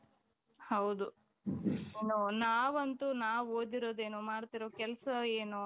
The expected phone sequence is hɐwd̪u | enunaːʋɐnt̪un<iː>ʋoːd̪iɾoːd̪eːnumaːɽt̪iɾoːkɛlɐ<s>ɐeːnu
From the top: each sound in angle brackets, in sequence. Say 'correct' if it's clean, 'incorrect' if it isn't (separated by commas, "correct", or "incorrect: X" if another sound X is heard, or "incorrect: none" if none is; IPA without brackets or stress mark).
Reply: incorrect: aː, correct